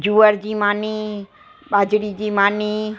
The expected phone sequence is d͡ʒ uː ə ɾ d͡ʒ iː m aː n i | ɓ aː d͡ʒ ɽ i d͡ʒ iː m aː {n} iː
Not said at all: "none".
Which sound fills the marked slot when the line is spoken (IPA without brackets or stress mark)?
n